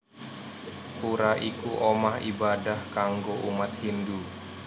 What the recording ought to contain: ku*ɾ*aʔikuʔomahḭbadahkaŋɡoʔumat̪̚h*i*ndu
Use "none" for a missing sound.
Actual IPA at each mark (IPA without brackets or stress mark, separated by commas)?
ɾ, i